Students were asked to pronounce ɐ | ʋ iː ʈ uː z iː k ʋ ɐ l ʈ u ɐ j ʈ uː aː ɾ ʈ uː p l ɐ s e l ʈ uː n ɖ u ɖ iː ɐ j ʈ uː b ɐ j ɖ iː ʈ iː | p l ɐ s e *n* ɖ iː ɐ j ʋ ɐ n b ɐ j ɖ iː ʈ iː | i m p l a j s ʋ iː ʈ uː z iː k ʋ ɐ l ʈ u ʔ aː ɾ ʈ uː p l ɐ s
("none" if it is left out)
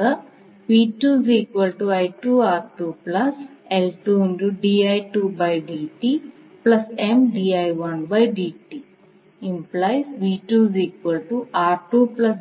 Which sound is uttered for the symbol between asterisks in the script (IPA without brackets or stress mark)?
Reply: m